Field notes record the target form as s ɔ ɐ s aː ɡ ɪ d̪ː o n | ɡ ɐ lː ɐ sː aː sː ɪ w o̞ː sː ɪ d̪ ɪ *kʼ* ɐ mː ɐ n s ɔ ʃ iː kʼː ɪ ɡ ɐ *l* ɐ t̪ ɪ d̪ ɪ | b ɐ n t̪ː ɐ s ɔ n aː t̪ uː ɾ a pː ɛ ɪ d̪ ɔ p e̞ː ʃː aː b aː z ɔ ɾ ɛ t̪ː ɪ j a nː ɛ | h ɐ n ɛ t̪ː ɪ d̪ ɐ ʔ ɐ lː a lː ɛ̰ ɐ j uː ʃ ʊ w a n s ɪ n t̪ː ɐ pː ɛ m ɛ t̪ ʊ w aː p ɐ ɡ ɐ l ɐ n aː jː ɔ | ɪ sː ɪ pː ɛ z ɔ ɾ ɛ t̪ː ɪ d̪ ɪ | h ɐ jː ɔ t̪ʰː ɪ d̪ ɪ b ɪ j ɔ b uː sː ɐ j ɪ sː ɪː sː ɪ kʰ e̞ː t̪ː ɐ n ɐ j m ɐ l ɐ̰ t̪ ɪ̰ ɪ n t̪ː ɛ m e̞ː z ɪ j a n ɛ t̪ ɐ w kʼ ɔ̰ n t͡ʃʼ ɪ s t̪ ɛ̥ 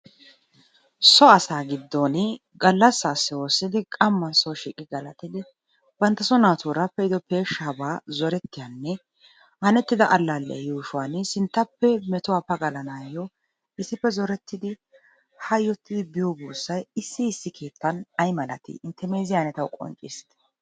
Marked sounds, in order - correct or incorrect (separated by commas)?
correct, correct